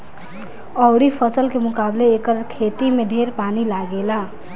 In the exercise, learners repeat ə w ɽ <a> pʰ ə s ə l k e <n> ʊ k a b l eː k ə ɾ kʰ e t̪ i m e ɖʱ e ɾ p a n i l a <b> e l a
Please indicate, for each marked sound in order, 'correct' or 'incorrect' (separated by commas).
incorrect, incorrect, incorrect